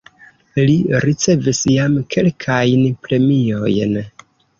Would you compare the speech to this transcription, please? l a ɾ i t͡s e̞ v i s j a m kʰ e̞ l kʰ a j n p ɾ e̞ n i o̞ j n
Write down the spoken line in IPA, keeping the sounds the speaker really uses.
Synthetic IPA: l i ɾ i t͡s e̞ v i s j a m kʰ e̞ l kʰ a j n p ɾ e̞ m i o̞ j n